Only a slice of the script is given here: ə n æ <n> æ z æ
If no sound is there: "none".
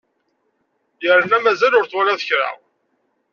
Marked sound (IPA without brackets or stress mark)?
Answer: m